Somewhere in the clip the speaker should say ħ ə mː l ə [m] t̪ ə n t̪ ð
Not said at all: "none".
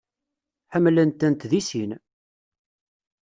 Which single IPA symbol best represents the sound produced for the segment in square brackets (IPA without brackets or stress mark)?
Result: n